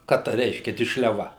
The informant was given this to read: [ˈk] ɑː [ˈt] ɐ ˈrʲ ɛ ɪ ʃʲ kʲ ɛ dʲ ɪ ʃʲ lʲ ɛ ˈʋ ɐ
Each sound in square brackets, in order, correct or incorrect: correct, correct

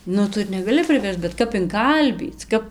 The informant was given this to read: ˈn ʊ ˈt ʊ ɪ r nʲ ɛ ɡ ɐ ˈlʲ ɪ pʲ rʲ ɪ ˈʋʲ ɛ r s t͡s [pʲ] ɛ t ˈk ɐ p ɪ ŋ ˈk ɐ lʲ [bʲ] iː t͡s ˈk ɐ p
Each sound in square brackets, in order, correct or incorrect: incorrect: bʲ, correct

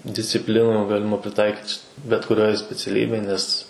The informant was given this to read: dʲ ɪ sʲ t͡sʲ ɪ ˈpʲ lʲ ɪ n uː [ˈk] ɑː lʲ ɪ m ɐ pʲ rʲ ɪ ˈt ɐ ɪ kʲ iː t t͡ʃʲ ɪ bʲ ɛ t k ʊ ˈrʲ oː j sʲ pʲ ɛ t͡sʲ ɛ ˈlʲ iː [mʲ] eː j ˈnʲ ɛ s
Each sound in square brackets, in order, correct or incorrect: incorrect: ɡ, incorrect: bʲ

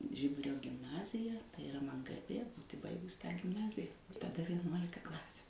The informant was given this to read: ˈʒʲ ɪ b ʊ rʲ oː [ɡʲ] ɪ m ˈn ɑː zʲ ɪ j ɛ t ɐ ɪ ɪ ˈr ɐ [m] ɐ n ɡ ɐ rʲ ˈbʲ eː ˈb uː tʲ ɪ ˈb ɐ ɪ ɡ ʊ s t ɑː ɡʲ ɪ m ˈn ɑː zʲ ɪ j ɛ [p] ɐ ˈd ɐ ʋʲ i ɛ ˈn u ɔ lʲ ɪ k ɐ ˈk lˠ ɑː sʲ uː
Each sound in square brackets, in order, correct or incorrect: correct, correct, incorrect: t

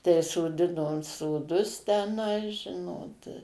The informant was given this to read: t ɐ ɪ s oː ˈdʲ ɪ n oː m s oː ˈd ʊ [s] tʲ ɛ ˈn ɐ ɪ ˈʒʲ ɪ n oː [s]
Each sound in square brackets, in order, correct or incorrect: correct, incorrect: t

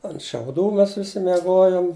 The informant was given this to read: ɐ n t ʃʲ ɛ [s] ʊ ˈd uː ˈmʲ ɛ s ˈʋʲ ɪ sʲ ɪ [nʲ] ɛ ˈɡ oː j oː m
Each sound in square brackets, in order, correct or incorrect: incorrect: none, incorrect: mʲ

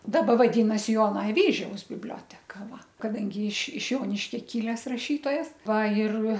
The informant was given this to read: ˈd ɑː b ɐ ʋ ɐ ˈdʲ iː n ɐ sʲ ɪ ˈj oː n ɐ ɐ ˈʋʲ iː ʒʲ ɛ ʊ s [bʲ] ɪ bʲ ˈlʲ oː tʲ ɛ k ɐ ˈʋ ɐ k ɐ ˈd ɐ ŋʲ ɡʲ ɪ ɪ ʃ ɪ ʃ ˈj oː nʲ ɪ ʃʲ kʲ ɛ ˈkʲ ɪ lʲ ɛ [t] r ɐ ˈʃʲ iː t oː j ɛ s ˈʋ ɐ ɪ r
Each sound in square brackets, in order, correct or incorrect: correct, incorrect: s

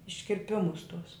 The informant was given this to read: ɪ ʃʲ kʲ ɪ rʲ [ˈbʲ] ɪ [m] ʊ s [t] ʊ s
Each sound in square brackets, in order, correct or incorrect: incorrect: pʲ, correct, correct

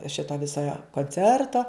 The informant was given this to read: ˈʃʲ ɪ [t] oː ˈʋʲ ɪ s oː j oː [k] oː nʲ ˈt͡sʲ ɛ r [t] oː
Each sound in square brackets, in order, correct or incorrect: correct, correct, correct

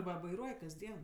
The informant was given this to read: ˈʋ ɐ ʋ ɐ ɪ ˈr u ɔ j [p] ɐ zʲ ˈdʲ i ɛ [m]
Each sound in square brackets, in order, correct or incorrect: incorrect: k, incorrect: n

